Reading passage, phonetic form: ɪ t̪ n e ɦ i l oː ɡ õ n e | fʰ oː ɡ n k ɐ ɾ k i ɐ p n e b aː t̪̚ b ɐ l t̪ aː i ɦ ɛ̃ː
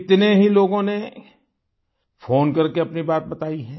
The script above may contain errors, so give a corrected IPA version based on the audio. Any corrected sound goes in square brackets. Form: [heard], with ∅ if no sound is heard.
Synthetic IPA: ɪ t̪ n e ɦ i l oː ɡ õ n e | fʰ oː [∅] n k ɐ ɾ k [e] ɐ p n [i] b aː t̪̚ b ɐ [∅] t̪ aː i ɦ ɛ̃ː